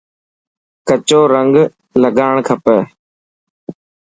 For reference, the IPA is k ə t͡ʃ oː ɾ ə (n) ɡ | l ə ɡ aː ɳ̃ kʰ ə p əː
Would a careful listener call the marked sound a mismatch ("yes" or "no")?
yes